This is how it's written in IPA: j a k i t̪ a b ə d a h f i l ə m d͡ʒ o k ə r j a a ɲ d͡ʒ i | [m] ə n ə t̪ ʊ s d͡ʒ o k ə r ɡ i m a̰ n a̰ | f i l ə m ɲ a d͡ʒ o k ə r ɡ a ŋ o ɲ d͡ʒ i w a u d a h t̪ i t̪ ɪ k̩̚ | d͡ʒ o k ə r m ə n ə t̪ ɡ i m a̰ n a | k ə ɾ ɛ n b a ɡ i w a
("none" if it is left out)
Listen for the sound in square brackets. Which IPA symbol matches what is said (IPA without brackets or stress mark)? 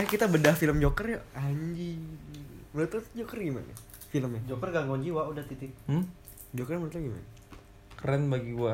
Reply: m